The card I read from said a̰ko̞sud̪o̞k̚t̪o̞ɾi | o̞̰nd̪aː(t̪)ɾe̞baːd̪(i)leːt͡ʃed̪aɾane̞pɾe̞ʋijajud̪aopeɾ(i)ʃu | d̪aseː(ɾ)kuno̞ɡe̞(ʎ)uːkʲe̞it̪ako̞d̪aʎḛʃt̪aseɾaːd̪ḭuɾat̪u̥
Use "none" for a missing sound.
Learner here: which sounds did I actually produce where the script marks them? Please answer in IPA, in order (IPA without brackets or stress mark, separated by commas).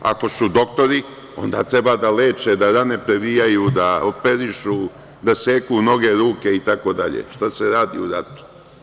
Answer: t̪, a, i, none, ɾ